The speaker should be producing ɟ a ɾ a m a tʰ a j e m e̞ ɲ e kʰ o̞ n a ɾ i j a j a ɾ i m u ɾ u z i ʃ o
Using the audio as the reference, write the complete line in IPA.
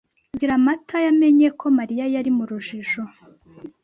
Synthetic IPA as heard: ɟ i ɾ a m a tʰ a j a m e̞ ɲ e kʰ o̞ m a ɾ i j a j a ɾ i m u ɾ u ʒ i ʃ o